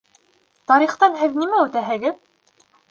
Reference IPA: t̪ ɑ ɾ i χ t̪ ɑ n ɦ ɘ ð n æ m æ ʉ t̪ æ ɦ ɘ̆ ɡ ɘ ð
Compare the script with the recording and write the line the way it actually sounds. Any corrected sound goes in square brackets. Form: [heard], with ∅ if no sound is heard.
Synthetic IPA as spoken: t̪ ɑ ɾ i χ t̪ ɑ n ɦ ɘ ð n [i] m æ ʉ t̪ æ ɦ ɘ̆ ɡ ɘ ð